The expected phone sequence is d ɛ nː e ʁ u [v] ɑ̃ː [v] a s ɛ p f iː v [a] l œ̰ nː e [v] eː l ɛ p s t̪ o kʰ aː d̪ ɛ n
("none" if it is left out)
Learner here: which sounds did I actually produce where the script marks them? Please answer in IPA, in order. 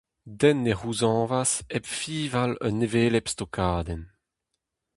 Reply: z, v, a, v

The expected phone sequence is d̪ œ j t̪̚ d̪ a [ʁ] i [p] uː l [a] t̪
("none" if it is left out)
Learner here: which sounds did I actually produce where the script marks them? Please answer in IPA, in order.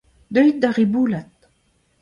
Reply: ʁ, b, a

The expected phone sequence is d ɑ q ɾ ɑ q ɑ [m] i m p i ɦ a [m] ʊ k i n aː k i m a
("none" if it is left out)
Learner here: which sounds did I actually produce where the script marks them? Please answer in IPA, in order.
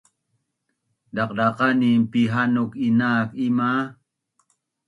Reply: n, n

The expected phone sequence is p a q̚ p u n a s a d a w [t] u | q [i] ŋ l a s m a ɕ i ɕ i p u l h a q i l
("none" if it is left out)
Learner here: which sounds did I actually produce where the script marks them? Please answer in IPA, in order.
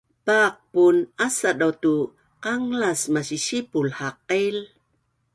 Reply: t, a

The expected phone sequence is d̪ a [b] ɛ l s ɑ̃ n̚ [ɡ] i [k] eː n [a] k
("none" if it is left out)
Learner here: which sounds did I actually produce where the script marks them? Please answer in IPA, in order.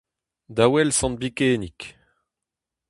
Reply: w, b, k, i

